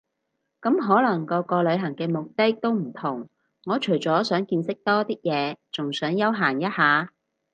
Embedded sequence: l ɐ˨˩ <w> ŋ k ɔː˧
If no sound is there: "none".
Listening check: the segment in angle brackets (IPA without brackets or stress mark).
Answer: none